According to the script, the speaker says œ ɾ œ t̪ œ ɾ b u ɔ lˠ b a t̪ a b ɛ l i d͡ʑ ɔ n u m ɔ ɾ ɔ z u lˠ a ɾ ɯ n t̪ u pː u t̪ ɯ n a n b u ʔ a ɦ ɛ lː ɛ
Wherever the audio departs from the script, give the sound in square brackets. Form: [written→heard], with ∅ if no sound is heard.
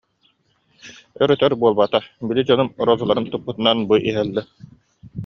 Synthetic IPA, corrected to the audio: œ ɾ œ t̪ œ ɾ b u ɔ lˠ b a t̪ a b [ɛ→i] l i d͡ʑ ɔ n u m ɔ ɾ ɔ z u lˠ a ɾ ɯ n t̪ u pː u t̪ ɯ n a n b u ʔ [a→i] ɦ ɛ lː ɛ